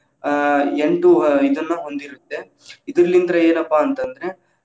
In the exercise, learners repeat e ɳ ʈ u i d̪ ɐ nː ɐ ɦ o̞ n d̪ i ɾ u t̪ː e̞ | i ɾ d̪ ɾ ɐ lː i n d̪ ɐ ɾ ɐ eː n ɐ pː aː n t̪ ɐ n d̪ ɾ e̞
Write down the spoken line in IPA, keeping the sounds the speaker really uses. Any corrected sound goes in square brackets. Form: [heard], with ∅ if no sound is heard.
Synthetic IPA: e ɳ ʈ u i d̪ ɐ nː ɐ ɦ o̞ n d̪ i ɾ u t̪ː e̞ | i [∅] d̪ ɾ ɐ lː i n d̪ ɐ ɾ ɐ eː n ɐ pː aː n t̪ ɐ n d̪ ɾ e̞